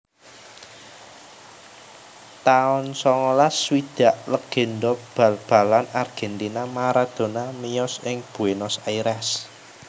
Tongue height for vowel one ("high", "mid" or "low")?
low